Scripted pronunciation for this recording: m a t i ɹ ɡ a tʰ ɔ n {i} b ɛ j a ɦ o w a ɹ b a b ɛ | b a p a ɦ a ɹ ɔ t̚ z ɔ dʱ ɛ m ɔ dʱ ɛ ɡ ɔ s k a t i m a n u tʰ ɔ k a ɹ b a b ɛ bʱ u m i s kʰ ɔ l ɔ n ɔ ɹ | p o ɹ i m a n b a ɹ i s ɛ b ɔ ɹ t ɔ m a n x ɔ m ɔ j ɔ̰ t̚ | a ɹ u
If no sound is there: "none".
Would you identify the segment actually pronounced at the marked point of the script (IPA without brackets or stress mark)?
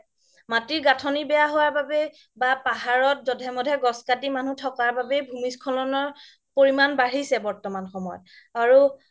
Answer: i